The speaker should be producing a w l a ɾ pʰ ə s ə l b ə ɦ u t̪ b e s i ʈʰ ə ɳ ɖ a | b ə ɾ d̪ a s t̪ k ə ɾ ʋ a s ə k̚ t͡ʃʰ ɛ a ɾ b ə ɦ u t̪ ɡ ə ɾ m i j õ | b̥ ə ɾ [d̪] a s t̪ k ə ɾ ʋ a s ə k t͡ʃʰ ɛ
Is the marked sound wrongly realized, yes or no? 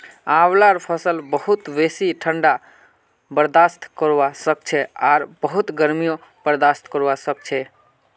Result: no